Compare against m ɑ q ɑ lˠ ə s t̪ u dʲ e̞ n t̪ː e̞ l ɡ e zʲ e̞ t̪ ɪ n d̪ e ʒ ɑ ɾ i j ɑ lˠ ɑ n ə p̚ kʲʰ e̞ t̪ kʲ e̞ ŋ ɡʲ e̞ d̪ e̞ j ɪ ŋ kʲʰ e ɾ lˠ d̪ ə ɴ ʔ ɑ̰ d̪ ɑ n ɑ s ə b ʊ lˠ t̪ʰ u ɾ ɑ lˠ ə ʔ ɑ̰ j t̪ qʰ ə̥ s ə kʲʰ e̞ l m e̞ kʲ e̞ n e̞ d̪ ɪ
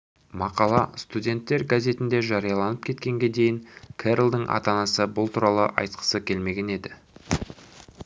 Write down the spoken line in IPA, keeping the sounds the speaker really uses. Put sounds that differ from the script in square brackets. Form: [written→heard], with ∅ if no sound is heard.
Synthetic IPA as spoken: m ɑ q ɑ lˠ [ə→ɑ] s t̪ u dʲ e̞ n t̪ː e̞ [l→ɾ] ɡ [e→a] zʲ e̞ t̪ ɪ n d̪ e ʒ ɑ ɾ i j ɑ lˠ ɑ n ə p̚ kʲʰ e̞ t̪ kʲ e̞ ŋ ɡʲ e̞ d̪ e̞ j ɪ ŋ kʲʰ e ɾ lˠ d̪ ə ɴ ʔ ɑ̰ [d̪→t̪] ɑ n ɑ s ə b ʊ lˠ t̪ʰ u ɾ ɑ lˠ ə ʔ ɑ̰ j t̪ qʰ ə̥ s ə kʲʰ e̞ l m e̞ [kʲ→ɡʲ] e̞ n e̞ d̪ ɪ

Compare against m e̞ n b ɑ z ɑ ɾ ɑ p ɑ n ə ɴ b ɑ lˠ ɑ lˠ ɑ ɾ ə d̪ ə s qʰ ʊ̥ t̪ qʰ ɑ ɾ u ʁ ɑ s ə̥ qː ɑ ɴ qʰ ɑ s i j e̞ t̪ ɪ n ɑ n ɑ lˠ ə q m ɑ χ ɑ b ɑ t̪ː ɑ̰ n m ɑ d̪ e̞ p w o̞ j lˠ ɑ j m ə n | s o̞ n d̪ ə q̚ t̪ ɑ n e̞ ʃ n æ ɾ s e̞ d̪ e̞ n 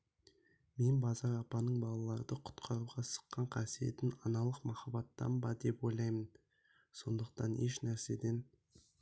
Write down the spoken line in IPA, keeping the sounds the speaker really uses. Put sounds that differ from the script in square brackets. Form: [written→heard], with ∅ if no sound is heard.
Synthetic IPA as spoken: m e̞ n b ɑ z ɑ ɾ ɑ p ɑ n ə ɴ b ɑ lˠ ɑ lˠ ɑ ɾ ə d̪ ə [s→∅] qʰ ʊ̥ t̪ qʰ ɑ ɾ u ʁ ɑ s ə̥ qː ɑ ɴ qʰ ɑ s i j e̞ t̪ ɪ n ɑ n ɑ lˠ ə q m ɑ χ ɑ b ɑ t̪ː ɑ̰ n [m→b] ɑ d̪ e̞ p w o̞ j lˠ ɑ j m ə n | s o̞ n d̪ ə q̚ t̪ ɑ n e̞ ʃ n æ ɾ s e̞ d̪ e̞ n

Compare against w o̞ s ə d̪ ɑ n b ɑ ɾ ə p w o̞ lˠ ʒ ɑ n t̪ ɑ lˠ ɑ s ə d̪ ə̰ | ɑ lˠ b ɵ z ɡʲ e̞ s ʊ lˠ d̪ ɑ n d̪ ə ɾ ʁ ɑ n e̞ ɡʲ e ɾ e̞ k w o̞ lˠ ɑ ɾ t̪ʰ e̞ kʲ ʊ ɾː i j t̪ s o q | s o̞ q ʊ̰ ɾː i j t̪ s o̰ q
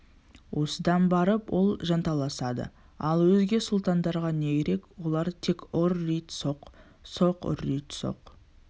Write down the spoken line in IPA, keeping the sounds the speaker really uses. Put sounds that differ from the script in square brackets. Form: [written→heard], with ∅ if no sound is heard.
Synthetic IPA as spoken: w o̞ s ə d̪ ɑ n b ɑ ɾ ə p w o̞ lˠ ʒ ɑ n t̪ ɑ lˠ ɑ s [ə→ɑ] d̪ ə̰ | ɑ lˠ [b→w] ɵ z ɡʲ e̞ s ʊ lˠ [d̪→t̪] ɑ n d̪ [ə→ɑ] ɾ ʁ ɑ n e̞ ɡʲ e ɾ e̞ k w o̞ lˠ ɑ ɾ t̪ʰ e̞ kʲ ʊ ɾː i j t̪ s o q | s o̞ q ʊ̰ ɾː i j t̪ s o̰ q

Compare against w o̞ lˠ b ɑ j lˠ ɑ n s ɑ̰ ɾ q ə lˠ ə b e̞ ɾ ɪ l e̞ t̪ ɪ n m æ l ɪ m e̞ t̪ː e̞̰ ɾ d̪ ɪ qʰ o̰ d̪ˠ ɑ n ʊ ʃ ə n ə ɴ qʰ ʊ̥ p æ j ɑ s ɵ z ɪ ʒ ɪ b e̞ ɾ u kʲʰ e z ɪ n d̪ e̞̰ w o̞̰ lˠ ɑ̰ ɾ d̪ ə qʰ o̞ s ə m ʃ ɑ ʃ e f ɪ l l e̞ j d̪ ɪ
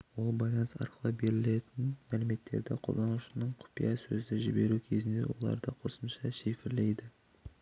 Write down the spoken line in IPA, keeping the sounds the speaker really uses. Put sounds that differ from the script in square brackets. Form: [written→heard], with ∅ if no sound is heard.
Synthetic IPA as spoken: w o̞ lˠ b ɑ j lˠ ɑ n s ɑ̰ ɾ q ə lˠ ə b e̞ ɾ ɪ l e̞ t̪ ɪ n m æ l ɪ m e̞ t̪ː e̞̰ ɾ d̪ ɪ qʰ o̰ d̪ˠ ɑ n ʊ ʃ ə n ə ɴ qʰ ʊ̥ p [æ→i] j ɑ s ɵ z ɪ ʒ ɪ b e̞ ɾ u kʲʰ e z ɪ n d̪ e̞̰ w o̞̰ lˠ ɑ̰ ɾ d̪ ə qʰ o̞ s ə m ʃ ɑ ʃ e f ɪ [l→ɾ] l e̞ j d̪ ɪ

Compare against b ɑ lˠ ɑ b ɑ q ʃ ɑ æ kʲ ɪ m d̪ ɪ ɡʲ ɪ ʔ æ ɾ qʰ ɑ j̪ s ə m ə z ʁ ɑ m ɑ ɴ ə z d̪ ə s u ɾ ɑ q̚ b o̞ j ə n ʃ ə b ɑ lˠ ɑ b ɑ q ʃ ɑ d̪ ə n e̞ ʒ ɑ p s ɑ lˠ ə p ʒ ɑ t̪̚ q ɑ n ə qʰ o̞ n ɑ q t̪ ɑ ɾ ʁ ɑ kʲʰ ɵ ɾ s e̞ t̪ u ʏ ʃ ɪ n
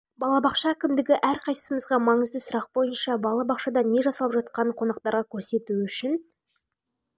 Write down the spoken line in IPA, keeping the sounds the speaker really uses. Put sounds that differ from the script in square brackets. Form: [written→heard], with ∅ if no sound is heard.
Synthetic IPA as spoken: b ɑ lˠ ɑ b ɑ q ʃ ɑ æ kʲ ɪ m d̪ ɪ ɡʲ ɪ ʔ æ ɾ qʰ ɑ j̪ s ə m ə z ʁ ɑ m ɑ ɴ ə z d̪ ə s [u→ʊ] ɾ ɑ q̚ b o̞ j ə n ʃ [ə→ɑ] b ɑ lˠ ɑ b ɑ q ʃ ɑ d̪ [ə→ɑ] n e̞ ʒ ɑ [p→∅] s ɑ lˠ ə p ʒ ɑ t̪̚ q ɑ n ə qʰ o̞ n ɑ q t̪ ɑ ɾ ʁ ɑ kʲʰ ɵ ɾ s e̞ t̪ u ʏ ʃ ɪ n

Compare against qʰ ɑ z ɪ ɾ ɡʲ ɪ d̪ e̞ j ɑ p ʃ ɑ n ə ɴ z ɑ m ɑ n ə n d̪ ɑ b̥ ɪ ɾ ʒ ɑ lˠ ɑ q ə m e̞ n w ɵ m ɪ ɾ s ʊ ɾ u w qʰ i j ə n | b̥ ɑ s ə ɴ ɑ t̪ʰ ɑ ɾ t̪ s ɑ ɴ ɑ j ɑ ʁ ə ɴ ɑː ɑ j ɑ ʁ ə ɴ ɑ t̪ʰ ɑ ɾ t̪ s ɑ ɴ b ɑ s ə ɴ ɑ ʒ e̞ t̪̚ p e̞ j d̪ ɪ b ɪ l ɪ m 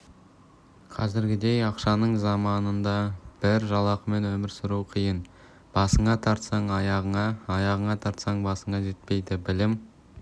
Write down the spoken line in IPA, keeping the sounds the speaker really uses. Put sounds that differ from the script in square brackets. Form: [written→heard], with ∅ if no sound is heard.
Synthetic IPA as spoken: qʰ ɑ z ɪ ɾ ɡʲ ɪ d̪ e̞ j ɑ [p→q] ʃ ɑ n ə ɴ z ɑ m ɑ n ə n d̪ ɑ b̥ ɪ ɾ ʒ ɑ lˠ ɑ q ə m e̞ n w ɵ m ɪ ɾ s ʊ ɾ u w qʰ i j ə n | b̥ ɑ s ə ɴ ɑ t̪ʰ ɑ ɾ t̪ s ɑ ɴ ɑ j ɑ ʁ ə ɴ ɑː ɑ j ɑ ʁ ə ɴ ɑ t̪ʰ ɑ ɾ t̪ s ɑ ɴ b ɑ s ə ɴ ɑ ʒ e̞ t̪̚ p e̞ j d̪ ɪ b ɪ l ɪ m

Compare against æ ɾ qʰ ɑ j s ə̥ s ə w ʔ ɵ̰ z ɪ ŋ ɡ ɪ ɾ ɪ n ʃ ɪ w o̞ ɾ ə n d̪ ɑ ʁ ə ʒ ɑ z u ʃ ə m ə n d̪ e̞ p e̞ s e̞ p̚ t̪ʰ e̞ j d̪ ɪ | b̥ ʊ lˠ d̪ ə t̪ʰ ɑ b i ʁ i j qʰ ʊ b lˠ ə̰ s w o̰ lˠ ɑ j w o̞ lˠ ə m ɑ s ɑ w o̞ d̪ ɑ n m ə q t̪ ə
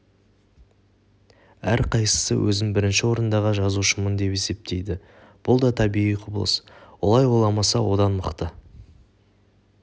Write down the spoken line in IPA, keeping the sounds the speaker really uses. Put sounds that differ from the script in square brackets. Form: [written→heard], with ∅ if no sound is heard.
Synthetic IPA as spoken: æ ɾ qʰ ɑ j s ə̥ s ə w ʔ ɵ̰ z ɪ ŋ [ɡ→b] ɪ ɾ ɪ n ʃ ɪ w o̞ ɾ ə n d̪ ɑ ʁ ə ʒ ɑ z u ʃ ə m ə n d̪ e̞ p e̞ s e̞ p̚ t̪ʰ e̞ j d̪ ɪ | b̥ ʊ lˠ d̪ [ə→ɑ] t̪ʰ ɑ b i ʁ i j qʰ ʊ b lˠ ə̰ s w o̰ lˠ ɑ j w o̞ lˠ [ə→ɑ] m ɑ s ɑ w o̞ d̪ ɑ n m ə q t̪ ə

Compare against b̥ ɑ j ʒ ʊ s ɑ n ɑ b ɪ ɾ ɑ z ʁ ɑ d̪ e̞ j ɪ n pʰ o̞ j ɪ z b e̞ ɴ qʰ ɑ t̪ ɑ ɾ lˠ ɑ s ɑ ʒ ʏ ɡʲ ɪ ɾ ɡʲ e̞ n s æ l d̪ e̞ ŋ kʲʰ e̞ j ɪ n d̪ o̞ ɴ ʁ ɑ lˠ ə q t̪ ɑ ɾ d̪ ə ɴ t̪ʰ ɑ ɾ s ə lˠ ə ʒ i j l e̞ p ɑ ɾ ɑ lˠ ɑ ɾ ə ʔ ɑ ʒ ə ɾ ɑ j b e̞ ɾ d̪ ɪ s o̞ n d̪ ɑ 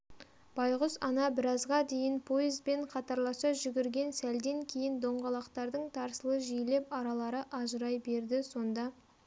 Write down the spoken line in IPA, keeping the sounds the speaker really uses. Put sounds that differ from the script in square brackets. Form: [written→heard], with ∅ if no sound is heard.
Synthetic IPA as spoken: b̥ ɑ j [ʒ→ʁ] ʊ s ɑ n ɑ b ɪ ɾ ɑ z ʁ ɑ d̪ e̞ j ɪ n pʰ o̞ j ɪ z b e̞ ɴ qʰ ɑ t̪ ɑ ɾ lˠ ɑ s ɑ ʒ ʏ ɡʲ ɪ ɾ ɡʲ e̞ n s æ l d̪ e̞ ŋ kʲʰ e̞ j ɪ n d̪ o̞ ɴ ʁ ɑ lˠ [ə→ɑ] q t̪ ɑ ɾ d̪ ə ɴ t̪ʰ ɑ ɾ s ə lˠ ə ʒ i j l e̞ p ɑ ɾ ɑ lˠ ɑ ɾ ə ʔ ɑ ʒ ə ɾ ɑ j b e̞ ɾ d̪ ɪ s o̞ n d̪ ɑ

